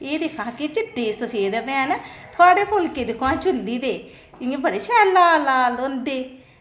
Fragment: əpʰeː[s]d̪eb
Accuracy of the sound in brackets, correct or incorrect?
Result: incorrect